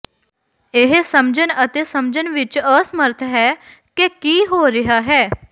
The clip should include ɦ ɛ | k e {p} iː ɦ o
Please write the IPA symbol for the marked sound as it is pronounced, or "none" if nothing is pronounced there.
k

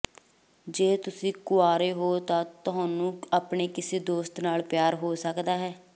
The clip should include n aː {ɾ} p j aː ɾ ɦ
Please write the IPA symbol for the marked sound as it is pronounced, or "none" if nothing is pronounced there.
l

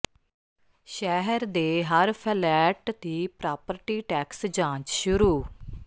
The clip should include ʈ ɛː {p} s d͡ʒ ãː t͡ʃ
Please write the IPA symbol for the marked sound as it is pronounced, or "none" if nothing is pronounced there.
k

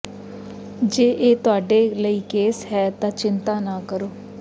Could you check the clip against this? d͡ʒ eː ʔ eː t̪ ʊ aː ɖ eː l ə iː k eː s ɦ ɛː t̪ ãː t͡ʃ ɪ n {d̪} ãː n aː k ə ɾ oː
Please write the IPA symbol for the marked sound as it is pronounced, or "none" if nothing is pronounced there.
t̪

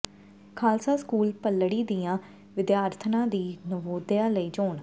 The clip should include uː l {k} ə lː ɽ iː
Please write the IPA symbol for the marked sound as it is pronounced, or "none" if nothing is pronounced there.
p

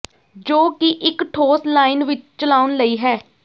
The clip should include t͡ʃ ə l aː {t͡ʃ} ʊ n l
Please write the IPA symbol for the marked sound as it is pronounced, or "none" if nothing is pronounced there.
none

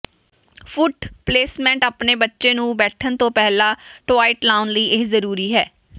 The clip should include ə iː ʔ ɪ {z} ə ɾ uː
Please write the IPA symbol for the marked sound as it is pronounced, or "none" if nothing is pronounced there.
z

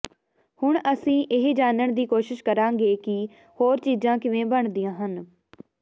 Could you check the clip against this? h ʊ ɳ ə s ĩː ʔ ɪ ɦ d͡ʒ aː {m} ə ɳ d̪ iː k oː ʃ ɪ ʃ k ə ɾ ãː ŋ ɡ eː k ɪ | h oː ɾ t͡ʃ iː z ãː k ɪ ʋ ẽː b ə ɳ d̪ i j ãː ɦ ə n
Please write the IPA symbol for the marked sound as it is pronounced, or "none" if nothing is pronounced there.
n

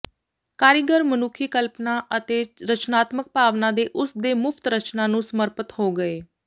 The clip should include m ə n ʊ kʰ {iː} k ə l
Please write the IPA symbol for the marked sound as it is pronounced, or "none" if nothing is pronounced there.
iː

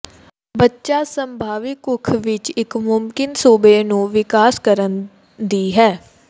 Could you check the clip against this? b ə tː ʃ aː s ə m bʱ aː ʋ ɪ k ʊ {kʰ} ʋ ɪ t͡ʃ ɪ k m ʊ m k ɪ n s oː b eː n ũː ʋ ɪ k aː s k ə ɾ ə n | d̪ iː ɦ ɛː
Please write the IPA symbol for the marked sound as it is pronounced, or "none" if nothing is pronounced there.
kʰ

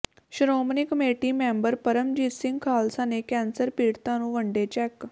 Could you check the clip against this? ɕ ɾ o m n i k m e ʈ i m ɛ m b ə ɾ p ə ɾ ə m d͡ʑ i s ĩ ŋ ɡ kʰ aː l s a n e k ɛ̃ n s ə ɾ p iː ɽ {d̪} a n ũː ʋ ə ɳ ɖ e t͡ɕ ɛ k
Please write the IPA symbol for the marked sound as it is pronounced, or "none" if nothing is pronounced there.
t̪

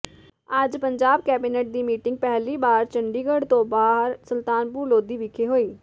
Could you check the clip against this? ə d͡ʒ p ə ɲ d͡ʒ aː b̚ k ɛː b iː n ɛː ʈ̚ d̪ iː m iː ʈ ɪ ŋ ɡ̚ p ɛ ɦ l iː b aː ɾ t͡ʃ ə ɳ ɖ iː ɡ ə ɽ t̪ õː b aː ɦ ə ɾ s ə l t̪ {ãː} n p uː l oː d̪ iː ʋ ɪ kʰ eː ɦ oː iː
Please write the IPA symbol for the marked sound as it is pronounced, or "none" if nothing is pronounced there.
aː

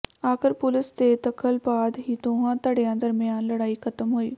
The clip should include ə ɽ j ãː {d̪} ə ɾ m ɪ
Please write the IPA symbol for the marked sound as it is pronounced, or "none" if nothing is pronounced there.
d̪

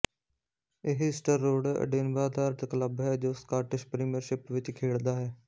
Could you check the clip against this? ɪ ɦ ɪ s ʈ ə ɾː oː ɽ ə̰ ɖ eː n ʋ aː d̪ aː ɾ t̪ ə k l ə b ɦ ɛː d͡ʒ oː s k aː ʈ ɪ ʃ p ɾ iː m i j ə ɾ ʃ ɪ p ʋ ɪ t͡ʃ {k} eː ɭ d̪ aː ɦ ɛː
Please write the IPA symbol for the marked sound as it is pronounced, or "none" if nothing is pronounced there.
kʰ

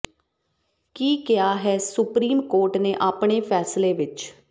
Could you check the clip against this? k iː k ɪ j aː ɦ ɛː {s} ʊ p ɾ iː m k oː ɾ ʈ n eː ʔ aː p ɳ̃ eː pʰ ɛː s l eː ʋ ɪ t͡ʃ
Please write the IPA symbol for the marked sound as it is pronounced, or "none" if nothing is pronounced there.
s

